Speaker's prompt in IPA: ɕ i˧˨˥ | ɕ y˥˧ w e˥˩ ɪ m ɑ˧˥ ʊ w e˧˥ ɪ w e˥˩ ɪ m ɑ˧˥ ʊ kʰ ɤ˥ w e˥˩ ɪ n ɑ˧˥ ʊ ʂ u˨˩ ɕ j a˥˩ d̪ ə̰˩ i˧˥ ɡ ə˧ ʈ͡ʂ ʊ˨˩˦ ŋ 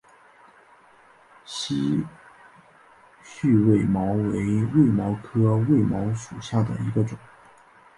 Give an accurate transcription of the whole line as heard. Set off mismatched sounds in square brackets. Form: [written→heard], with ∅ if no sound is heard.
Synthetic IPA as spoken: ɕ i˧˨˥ | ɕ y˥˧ w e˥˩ ɪ m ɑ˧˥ ʊ w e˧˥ ɪ w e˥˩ ɪ m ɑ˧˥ ʊ kʰ ɤ˥ w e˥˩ ɪ [n→m] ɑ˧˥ ʊ ʂ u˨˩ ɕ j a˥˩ d̪ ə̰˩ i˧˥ ɡ ə˧ ʈ͡ʂ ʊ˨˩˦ ŋ